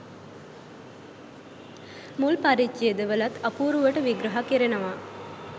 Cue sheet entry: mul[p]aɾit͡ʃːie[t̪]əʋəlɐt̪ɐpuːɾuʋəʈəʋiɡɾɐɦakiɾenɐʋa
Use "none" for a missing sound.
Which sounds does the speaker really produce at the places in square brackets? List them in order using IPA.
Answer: p, d̪

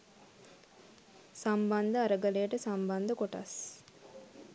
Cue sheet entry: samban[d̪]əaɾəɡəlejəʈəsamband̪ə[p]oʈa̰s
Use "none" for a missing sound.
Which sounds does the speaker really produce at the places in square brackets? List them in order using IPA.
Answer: d̪, k

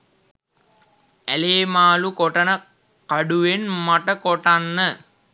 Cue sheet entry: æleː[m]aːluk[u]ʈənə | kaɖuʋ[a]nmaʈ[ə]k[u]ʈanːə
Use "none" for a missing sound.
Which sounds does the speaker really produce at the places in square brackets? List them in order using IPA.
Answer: m, o, e, ə, o

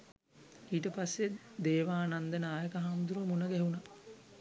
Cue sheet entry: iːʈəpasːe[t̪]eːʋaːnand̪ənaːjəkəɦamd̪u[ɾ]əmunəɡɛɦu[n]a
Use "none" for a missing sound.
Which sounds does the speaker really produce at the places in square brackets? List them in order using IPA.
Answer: d̪, ɾ, n

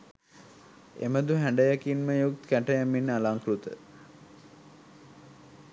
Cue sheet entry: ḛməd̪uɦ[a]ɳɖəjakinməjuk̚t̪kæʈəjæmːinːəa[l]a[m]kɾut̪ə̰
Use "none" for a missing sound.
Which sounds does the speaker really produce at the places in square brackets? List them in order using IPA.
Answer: æ, l, ŋ

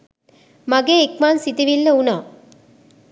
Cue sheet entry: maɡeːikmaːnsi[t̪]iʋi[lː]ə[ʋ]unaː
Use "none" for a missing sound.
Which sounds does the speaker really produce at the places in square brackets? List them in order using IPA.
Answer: t̪, lː, none

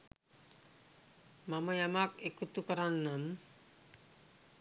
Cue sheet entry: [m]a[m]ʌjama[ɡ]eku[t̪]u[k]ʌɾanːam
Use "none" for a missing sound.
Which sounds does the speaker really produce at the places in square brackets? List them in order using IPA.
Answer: m, m, k, t̪, k

